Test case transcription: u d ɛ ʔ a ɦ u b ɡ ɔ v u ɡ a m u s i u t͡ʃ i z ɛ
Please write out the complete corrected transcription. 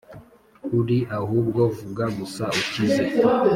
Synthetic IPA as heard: u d i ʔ a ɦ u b ɡ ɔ v u ɡ a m u s a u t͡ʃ i z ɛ